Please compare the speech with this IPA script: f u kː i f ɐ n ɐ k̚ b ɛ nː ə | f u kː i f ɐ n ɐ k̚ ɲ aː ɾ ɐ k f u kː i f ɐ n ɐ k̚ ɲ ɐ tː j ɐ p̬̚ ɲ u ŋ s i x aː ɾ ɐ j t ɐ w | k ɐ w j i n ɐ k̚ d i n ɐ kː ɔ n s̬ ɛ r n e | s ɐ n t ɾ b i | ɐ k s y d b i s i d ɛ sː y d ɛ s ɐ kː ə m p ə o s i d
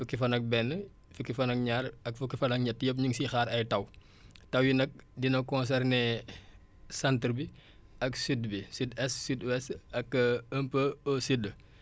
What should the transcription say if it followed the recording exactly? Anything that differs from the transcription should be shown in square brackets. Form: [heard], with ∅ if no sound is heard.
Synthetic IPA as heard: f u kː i f ɐ n ɐ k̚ b ɛ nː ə | f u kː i f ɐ n ɐ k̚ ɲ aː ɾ ɐ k f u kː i f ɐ n ɐ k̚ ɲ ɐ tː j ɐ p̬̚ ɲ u ŋ s i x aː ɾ ɐ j t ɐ w | [t] ɐ w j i n ɐ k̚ d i n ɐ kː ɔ n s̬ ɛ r n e | s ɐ n t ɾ b i | ɐ k s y d b i s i d ɛ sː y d ɛ s ɐ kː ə m p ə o s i d